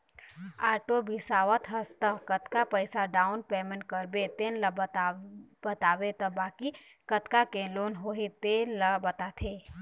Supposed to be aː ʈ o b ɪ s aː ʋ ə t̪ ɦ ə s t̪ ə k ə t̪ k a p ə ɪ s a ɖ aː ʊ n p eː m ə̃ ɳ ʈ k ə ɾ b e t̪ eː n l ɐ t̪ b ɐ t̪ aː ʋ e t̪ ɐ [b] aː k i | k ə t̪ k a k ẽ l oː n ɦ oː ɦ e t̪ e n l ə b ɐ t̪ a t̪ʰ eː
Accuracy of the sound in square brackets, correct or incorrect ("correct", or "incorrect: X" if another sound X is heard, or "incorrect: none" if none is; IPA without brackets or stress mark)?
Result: correct